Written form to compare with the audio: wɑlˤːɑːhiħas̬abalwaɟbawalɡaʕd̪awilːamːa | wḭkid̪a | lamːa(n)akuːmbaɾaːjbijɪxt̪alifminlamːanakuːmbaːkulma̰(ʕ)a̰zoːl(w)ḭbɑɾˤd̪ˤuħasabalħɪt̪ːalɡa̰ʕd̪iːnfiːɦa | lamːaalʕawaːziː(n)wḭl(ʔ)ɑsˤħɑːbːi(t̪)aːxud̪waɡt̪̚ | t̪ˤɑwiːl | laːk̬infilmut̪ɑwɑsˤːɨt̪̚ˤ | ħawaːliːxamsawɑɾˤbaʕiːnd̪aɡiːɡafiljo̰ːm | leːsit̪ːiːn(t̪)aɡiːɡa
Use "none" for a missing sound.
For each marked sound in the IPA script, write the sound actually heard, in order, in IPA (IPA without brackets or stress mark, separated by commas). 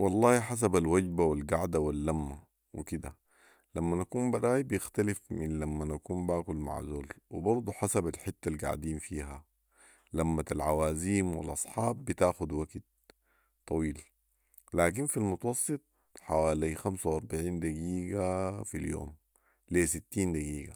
n, ʕ, w, m, ʔ, t̪, d̪